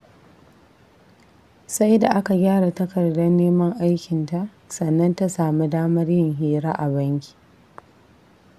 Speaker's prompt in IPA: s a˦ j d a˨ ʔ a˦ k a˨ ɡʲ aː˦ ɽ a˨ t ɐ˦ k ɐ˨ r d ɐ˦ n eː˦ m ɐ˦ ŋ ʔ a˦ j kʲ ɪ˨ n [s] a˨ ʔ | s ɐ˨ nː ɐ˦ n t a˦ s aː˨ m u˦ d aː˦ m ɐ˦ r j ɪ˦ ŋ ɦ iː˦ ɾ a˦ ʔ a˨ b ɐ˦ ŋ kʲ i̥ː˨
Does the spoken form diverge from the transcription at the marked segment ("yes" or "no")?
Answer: yes